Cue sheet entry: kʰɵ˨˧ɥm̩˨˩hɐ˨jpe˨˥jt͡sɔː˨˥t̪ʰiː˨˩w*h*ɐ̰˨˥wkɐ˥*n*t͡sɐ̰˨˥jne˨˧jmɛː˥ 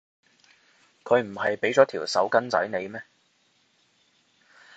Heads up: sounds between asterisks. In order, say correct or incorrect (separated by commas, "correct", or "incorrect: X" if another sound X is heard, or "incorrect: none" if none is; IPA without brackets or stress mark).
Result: incorrect: s, correct